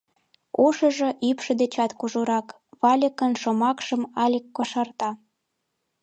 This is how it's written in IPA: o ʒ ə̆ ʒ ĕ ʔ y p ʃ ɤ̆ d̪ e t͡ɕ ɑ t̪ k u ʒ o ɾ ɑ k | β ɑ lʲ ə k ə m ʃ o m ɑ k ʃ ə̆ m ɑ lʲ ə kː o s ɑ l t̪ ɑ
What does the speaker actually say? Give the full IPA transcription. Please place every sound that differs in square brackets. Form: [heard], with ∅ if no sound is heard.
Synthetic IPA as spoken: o [ʃ] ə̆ ʒ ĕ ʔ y p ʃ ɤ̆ d̪ e t͡ɕ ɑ t̪ k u ʒ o ɾ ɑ k | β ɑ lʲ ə k ə [n] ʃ o m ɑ k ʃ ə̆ m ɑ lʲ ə kː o [ʃ] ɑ [r] t̪ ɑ